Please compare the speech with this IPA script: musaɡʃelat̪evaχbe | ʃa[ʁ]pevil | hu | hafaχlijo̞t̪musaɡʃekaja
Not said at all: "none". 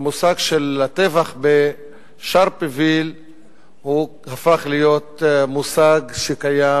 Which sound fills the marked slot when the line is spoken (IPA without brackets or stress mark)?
ʁ